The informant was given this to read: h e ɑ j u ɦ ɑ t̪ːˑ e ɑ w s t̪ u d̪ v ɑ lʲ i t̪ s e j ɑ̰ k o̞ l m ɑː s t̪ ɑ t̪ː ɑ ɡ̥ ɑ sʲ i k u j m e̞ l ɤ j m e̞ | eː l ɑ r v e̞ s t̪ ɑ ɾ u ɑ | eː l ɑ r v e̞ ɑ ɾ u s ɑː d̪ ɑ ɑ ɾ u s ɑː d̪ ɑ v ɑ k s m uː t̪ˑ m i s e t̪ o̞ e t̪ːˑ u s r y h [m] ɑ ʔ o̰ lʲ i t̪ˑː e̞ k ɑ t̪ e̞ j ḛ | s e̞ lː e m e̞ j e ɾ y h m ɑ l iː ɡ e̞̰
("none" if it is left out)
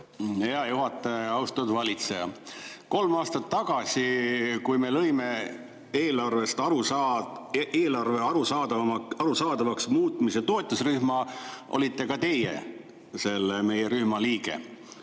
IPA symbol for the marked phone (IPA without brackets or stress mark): m